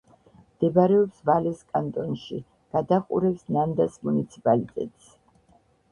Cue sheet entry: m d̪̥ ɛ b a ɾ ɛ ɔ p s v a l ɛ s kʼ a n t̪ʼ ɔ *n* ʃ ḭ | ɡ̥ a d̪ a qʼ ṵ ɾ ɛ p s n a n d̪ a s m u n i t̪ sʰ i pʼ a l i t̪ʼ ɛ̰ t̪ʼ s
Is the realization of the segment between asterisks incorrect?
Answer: no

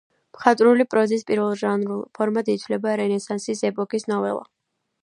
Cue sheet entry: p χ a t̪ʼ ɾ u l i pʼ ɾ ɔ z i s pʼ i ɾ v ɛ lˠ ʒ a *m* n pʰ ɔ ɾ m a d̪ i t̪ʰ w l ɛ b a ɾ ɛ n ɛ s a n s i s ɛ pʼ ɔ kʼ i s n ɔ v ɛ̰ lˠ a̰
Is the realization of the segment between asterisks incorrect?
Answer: yes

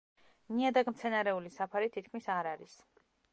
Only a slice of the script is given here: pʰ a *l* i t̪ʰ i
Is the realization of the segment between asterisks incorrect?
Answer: yes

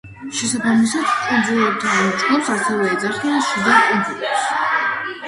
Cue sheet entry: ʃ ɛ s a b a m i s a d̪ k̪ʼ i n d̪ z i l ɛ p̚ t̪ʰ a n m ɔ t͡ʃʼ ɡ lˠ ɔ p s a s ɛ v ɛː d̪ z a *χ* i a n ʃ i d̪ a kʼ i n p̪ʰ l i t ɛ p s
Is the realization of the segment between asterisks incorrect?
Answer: no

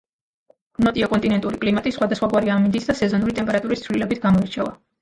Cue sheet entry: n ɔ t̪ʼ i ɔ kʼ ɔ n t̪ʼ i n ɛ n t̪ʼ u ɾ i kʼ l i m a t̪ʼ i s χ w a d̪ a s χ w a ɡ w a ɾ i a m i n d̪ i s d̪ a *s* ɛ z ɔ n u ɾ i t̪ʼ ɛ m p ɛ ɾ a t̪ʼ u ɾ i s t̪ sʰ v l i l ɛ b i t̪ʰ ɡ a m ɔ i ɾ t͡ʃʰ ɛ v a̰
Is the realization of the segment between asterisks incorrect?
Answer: no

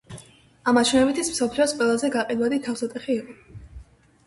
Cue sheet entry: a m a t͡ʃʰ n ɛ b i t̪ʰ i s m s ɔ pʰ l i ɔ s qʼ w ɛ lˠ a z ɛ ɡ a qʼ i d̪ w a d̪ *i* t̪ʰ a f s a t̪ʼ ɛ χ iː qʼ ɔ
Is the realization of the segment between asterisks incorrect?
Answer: no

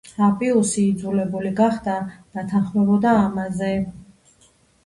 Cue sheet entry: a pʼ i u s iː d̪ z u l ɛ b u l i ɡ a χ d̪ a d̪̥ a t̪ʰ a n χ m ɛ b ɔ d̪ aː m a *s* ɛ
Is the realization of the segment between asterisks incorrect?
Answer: yes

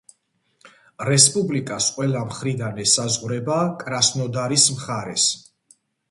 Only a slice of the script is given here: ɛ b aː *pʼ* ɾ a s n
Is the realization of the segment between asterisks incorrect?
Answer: yes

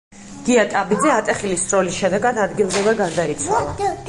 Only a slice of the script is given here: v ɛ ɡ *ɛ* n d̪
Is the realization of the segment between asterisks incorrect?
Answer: yes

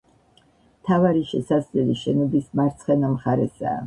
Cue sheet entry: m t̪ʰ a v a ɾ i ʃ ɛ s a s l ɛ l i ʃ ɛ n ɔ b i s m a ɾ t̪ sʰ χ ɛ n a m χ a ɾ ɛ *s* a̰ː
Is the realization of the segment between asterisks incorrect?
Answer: no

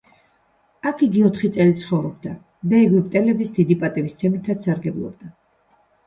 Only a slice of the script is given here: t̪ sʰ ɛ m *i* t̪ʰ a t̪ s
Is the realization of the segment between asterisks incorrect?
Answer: no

